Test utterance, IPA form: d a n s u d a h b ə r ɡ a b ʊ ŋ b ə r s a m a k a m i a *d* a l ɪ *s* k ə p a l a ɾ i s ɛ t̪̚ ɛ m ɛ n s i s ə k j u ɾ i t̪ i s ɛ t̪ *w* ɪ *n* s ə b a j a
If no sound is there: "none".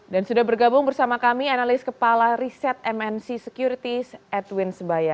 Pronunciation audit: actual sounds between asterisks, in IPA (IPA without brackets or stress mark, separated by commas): n, s, w, n